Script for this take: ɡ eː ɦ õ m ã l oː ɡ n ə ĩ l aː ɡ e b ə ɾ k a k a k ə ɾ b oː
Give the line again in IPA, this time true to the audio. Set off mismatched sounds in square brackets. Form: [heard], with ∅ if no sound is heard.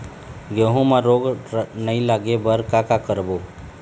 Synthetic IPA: ɡ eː ɦ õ m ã [ɾ] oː ɡ n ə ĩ l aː ɡ e b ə ɾ k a k a k ə ɾ b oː